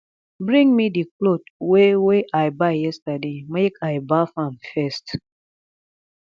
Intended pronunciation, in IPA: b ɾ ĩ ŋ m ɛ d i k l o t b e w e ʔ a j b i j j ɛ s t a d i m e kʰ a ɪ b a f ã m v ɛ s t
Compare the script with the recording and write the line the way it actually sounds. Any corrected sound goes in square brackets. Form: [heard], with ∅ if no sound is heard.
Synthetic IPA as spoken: b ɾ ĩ ŋ m [i] d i k l o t [w] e w e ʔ a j b [a] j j ɛ s t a d [e] m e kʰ a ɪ b a f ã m [f] ɛ s t